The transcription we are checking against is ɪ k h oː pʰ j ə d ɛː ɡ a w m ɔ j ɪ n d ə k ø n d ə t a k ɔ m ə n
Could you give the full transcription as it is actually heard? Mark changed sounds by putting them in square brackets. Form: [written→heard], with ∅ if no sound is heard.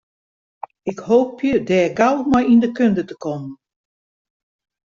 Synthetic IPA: ɪ k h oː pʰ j ə d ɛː ɡ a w m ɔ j [ɪ→i] n d ə k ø n d ə t [a→ə] k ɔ m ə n